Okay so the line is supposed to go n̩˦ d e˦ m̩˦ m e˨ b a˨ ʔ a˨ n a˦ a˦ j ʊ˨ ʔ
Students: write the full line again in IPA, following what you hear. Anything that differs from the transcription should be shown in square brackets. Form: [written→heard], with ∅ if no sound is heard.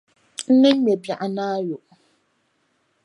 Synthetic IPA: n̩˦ [d→n] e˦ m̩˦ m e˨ b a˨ ʔ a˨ n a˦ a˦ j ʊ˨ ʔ